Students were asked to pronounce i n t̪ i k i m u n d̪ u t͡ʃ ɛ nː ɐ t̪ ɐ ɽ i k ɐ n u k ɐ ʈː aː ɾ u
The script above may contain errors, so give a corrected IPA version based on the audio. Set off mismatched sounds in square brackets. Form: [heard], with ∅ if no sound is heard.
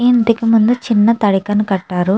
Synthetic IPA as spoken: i n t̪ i k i m u n d̪ u t͡ʃ [i] nː ɐ t̪ ɐ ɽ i k ɐ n u k ɐ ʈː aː ɾ u